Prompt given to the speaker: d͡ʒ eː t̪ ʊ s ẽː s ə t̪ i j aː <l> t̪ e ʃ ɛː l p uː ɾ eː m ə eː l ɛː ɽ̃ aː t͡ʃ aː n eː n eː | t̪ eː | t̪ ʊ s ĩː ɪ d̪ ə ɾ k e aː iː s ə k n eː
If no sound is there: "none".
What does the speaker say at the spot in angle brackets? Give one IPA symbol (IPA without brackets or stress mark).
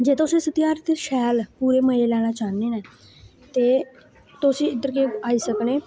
ɾ